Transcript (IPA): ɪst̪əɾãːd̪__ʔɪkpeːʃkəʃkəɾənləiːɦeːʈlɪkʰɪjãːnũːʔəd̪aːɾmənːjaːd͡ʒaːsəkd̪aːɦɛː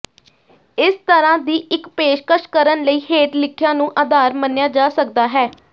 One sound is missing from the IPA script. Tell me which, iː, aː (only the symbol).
iː